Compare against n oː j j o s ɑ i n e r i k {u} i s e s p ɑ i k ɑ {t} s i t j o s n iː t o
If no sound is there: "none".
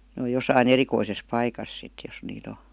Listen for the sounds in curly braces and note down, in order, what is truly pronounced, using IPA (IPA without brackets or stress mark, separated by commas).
o, s